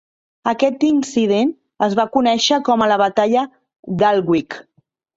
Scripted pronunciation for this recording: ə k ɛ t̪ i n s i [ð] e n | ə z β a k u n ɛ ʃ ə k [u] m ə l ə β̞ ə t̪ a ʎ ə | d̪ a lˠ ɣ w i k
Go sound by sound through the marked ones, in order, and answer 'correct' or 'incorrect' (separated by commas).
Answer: correct, incorrect